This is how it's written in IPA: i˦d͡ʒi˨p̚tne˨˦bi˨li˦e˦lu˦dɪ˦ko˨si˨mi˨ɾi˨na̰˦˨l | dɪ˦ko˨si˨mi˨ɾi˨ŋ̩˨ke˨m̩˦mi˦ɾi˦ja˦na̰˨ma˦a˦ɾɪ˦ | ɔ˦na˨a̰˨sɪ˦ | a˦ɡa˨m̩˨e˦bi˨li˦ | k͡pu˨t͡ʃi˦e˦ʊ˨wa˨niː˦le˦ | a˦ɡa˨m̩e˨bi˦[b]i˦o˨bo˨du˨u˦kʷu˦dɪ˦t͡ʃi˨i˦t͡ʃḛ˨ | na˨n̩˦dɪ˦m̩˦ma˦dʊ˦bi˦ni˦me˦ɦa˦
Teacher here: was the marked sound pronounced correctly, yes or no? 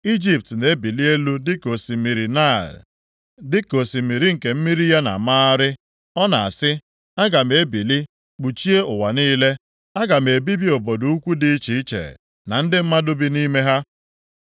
yes